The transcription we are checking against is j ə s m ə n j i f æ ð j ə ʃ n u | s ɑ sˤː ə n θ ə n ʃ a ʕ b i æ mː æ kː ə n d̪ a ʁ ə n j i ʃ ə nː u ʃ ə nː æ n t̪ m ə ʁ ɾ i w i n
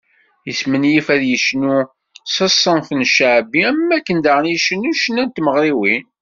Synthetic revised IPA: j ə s m ə n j i f æ ð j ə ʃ n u | s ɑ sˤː ə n θ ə n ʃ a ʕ b i æ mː æ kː ə n d̪ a ʁ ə n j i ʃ ə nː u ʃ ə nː æ n t̪ m ə ʁ ɾ i w i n